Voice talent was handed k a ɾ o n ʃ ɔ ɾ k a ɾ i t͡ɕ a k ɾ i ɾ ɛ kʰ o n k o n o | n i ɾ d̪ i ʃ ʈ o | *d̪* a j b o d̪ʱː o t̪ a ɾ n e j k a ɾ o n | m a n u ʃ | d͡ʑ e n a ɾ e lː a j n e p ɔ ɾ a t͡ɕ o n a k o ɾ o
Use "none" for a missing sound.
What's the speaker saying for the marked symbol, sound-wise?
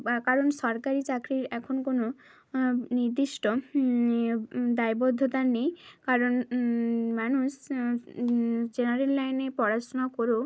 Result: d̪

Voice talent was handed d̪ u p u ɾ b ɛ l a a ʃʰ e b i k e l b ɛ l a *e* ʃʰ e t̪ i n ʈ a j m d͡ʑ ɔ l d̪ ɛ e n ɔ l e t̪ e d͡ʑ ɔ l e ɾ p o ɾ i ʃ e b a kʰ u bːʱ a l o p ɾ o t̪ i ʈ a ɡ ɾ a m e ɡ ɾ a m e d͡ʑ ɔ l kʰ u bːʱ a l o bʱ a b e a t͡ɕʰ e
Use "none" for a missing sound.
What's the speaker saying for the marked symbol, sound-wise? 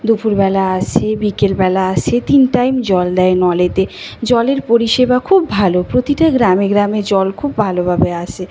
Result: a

